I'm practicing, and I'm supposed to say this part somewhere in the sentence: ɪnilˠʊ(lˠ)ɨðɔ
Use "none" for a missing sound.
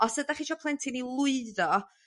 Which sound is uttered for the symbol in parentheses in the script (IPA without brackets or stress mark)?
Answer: none